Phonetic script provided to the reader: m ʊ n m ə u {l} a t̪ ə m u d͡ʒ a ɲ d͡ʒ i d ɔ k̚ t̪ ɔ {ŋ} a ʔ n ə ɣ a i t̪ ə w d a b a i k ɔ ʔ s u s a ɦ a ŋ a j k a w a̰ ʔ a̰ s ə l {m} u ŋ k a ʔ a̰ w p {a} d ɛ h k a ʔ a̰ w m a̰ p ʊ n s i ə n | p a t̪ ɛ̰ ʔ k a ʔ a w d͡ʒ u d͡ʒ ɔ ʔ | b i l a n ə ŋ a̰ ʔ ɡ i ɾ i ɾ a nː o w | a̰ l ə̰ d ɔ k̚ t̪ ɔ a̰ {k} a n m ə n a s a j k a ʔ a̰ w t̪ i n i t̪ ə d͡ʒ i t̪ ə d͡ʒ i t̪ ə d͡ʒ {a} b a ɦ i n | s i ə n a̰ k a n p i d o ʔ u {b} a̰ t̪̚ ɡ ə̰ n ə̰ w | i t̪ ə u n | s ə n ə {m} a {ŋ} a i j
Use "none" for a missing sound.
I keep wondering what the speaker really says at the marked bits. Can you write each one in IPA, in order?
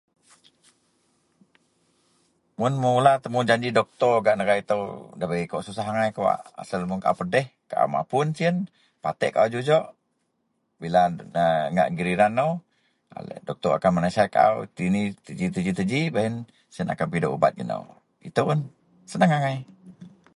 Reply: l, ɡ, m, ə, k, i, b, ŋ, ŋ

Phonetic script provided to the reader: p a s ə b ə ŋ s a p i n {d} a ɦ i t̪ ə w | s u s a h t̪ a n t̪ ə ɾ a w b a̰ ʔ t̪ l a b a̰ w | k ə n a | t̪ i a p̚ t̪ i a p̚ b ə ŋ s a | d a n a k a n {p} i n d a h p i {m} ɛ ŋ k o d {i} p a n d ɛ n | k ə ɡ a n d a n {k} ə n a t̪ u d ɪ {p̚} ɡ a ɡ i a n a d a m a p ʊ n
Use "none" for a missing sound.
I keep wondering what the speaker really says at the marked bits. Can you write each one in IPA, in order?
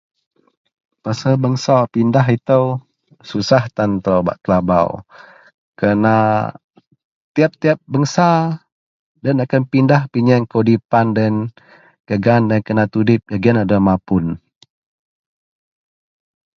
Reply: d, p, ɲ, i, k, p̚

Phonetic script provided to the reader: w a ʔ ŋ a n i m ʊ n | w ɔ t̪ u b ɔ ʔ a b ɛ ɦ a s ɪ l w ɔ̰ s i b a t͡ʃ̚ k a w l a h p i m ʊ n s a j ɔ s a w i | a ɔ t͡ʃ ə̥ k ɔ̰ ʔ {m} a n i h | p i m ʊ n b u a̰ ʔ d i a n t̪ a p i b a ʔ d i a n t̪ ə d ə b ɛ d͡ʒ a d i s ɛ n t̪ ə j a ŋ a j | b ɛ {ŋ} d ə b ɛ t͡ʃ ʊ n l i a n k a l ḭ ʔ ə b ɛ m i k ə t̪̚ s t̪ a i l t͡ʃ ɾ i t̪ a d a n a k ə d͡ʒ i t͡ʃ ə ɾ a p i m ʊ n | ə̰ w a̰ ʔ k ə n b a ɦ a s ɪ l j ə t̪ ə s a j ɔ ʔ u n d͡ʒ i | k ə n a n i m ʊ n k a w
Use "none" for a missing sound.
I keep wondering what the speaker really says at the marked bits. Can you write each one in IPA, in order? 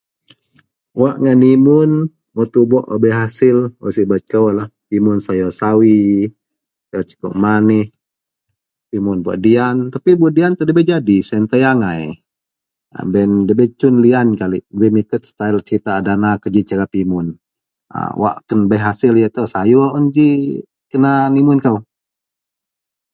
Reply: m, n

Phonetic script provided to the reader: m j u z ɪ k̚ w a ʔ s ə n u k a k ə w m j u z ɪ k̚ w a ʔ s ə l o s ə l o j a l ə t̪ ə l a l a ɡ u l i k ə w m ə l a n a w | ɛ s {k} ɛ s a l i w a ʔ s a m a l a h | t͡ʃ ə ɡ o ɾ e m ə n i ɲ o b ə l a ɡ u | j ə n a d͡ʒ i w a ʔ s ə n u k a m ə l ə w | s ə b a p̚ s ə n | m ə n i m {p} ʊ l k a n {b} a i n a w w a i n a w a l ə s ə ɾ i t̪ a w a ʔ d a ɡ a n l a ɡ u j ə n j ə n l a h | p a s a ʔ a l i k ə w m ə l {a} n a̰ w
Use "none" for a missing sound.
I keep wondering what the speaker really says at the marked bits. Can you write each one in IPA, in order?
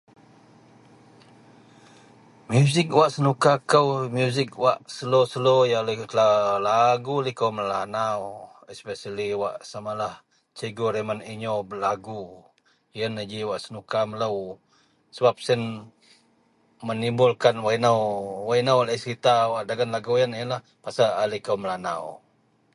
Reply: p, b, w, a

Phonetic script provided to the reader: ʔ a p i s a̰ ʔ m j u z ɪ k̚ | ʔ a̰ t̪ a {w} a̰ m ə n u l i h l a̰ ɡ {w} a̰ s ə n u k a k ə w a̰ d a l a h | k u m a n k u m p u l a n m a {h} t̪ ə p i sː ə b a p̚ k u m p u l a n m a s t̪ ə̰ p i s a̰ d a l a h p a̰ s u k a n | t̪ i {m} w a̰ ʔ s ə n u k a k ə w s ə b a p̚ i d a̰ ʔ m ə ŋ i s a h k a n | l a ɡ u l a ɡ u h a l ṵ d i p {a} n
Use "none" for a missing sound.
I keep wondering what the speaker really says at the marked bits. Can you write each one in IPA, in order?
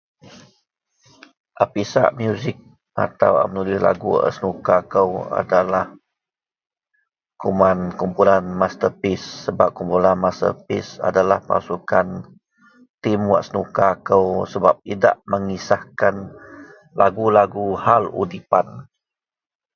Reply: w, u, s, m, a

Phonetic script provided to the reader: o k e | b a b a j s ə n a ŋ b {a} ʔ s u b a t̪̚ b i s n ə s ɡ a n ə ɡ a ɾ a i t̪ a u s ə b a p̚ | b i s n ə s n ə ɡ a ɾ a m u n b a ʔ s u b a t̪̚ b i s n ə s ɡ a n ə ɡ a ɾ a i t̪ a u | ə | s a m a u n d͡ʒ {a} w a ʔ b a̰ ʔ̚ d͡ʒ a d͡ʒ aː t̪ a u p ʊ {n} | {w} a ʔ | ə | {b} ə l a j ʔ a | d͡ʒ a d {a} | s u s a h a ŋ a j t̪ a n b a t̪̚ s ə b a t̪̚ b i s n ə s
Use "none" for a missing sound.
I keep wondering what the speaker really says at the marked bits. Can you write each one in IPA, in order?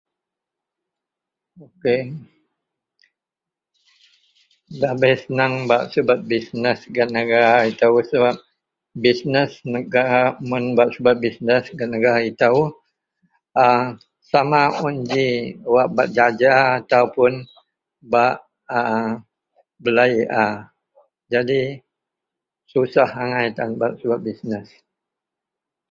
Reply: a, i, n, b, b, i

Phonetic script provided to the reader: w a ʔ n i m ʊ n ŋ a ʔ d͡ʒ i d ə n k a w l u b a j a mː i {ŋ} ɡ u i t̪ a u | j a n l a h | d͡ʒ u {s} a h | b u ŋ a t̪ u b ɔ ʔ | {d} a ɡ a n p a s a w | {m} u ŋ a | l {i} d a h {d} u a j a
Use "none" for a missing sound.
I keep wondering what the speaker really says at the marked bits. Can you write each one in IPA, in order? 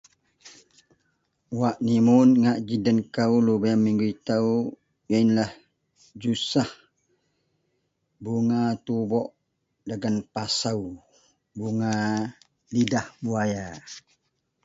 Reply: ŋ, s, d, b, i, b

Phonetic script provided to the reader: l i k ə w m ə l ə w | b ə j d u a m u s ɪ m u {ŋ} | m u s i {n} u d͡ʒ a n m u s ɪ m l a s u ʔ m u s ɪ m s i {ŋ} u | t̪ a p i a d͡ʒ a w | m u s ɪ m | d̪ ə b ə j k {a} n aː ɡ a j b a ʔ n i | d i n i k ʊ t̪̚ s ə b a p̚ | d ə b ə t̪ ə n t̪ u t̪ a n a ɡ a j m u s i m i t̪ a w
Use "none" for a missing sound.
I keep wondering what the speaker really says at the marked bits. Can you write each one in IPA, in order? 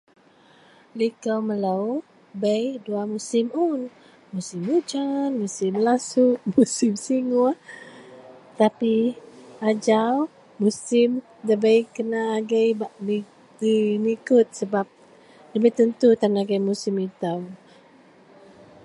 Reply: n, m, ŋ, ə

